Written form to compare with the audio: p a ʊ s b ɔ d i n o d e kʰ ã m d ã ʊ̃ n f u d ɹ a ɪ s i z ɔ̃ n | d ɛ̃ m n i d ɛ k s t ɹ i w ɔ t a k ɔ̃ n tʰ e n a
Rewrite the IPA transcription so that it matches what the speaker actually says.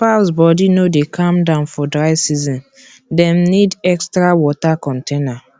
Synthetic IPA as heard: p a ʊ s b ɔ d i n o d e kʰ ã m d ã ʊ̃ n f ɔ d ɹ a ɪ s i z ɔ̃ n | d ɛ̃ m n i d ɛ k s t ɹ a w ɔ t a k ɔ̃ n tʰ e n a